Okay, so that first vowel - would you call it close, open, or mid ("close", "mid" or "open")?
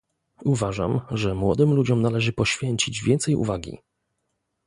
close